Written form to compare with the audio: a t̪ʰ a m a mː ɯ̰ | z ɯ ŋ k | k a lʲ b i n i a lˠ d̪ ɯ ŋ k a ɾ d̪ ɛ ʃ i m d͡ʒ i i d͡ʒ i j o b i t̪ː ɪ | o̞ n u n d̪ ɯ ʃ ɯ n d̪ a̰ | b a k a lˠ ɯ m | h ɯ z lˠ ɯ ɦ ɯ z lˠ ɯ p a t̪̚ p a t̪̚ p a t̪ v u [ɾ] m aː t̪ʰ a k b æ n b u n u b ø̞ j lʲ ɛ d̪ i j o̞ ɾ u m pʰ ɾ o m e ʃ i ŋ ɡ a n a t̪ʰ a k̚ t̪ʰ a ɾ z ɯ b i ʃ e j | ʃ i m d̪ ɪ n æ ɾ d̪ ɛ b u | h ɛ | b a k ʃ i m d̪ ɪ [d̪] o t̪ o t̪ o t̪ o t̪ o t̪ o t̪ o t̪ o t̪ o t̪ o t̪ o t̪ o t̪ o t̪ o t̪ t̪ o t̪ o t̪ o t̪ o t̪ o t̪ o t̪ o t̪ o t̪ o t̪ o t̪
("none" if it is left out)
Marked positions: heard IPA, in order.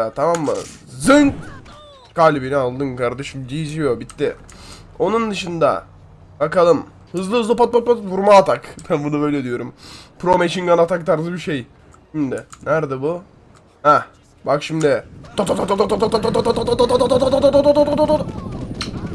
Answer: ɾ, t̪

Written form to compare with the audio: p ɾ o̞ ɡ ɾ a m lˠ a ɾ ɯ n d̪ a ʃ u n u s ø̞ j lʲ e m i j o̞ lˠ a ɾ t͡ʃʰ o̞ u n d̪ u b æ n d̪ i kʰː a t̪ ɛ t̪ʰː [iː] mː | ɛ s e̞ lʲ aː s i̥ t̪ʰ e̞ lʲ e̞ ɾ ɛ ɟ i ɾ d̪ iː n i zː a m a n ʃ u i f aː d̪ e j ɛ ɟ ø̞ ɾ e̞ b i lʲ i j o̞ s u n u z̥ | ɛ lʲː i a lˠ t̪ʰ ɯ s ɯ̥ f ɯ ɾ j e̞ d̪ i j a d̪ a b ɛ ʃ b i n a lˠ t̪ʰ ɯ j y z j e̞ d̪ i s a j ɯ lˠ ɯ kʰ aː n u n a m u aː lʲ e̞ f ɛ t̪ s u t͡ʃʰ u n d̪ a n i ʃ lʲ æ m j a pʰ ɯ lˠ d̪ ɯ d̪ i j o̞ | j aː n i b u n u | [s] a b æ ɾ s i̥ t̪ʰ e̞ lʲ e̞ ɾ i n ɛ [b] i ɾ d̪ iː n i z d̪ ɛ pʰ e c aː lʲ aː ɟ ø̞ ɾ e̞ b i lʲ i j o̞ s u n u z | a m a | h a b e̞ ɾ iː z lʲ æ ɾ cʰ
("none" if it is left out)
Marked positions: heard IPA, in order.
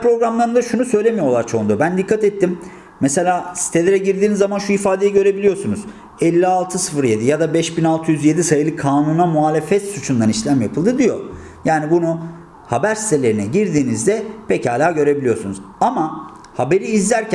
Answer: i, h, ɟ

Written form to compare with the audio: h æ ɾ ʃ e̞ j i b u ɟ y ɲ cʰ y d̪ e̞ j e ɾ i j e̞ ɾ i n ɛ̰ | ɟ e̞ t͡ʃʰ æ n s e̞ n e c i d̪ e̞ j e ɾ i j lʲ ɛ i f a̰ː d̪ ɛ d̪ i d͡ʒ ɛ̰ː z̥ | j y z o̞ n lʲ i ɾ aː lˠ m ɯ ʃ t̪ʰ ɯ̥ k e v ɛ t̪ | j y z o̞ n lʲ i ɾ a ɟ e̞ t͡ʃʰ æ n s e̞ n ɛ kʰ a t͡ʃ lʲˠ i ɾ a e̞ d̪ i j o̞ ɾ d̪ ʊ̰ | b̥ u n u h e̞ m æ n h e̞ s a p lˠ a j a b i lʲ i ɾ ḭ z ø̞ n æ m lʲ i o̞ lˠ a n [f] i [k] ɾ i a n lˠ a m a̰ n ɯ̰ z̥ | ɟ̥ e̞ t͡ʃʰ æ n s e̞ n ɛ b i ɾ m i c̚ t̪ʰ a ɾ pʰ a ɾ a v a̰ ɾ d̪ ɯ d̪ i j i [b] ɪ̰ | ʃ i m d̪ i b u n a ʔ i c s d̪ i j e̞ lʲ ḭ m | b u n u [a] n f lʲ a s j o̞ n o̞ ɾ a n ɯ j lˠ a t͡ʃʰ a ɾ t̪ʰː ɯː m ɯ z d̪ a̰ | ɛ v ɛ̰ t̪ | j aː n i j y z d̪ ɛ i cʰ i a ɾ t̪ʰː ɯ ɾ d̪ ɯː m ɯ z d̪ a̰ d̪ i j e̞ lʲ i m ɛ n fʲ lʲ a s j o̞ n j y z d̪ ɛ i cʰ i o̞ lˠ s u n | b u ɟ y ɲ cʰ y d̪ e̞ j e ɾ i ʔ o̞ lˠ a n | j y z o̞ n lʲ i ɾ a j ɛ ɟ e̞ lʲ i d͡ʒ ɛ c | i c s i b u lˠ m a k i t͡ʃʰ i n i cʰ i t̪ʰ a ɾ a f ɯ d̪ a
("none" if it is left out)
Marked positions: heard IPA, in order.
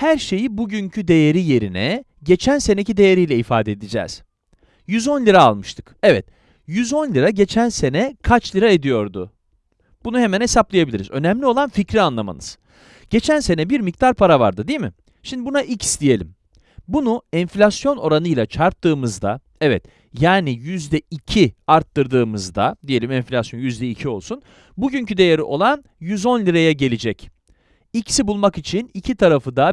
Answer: f, c, m, ɛ

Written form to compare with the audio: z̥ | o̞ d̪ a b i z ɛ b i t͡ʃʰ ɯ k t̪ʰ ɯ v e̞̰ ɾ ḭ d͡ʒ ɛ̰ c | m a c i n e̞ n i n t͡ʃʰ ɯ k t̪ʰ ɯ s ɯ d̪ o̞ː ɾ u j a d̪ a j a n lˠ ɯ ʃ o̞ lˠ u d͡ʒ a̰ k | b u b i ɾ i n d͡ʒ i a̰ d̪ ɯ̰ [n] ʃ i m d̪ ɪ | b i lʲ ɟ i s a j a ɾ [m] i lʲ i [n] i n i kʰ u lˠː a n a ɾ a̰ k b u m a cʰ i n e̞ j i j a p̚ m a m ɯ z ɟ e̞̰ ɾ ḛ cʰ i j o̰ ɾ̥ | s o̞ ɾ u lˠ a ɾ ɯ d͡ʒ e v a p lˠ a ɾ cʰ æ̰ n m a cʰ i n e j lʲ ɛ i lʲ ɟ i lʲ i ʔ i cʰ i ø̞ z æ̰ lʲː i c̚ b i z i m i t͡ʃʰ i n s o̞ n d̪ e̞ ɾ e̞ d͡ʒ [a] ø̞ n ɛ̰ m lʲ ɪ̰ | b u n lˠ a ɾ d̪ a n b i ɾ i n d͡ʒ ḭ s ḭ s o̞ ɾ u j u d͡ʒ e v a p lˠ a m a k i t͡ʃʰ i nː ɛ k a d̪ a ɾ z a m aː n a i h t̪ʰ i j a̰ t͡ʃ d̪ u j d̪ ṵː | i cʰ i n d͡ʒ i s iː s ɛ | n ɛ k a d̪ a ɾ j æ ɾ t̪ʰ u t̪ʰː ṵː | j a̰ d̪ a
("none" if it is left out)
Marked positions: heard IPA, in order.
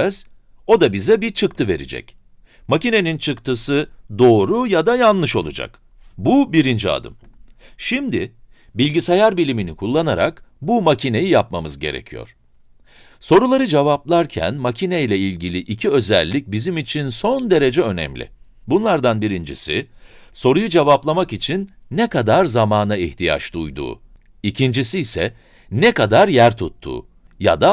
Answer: m, b, m, ɛ

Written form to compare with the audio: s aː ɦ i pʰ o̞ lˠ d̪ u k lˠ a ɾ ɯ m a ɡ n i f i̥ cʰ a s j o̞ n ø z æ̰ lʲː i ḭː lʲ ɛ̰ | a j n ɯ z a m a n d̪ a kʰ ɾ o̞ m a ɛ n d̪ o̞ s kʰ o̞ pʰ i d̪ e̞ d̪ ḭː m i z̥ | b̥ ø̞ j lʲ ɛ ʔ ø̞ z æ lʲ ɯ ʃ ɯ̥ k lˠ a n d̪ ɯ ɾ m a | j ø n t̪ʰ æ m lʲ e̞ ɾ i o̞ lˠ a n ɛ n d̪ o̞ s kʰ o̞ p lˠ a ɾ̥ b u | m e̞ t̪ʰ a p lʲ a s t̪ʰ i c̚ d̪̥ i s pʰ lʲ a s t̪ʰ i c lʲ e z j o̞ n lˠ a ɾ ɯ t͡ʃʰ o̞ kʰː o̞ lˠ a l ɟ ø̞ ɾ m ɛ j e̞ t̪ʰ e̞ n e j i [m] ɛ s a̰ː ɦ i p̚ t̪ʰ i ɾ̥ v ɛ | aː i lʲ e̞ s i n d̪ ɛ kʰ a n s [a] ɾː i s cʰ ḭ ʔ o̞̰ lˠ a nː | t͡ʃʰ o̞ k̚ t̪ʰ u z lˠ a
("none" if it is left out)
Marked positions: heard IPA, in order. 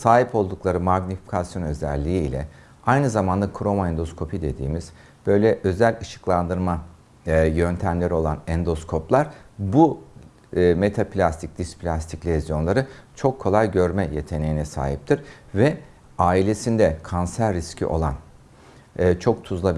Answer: n, æ

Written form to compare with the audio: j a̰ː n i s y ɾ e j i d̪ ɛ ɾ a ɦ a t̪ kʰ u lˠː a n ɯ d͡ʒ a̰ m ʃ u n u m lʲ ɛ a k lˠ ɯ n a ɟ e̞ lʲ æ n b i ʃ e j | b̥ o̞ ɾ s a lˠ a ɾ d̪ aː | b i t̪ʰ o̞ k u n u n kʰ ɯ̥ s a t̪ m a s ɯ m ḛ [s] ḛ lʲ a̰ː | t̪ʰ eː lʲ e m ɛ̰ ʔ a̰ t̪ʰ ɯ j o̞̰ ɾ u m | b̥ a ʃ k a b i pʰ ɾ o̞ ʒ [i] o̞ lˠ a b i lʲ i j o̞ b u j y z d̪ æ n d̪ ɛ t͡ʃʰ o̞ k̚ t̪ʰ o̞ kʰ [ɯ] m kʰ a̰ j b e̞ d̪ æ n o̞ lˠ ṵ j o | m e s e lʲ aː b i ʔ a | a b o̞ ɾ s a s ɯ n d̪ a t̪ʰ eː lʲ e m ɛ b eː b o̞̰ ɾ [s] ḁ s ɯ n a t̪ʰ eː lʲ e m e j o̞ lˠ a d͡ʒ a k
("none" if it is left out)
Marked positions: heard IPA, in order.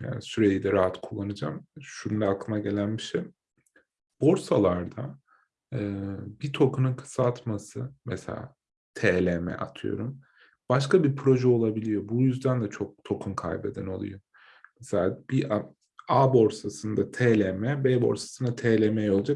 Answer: s, ɛ, u, s

